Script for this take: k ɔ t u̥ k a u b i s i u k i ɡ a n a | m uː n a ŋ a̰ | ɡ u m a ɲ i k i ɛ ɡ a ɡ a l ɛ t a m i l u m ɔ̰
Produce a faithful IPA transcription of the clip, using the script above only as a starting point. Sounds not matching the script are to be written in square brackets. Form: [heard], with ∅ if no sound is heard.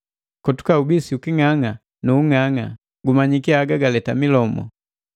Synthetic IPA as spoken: k ɔ t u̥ k a u b i s i u k i [ŋ] a [ŋ] a | [n] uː [ŋ] a ŋ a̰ | ɡ u m a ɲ i k i [a] ɡ a ɡ a l ɛ t a m i l [ɔ] m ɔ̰